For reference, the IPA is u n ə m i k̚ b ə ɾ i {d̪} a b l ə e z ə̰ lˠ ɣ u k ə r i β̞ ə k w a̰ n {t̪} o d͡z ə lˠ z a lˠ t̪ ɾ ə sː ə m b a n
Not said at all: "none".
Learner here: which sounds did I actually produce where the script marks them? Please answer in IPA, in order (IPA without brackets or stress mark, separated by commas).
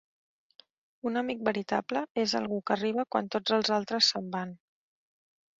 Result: t̪, t̪